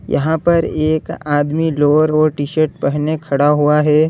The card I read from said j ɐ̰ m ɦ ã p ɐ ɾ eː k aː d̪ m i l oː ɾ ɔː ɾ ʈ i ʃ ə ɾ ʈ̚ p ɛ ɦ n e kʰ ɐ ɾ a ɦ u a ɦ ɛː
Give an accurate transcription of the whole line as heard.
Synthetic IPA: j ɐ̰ ɦ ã p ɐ ɾ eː k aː d̪ m i l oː ɾ ɔː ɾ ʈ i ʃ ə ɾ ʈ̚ p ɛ ɦ n e kʰ ɐ ɽ a ɦ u a ɦ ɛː